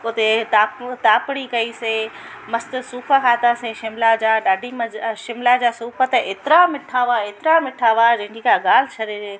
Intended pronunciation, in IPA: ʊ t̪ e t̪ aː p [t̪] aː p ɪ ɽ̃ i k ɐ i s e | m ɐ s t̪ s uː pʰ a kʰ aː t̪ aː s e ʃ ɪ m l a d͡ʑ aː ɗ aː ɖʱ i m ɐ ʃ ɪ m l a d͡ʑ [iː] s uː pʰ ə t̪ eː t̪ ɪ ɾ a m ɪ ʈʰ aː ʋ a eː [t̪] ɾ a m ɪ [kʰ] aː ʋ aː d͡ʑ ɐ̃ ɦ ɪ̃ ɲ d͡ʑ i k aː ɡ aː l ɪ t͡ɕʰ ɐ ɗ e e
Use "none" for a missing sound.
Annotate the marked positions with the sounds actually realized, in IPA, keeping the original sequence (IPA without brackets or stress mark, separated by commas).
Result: t̪, aː, t̪, ʈʰ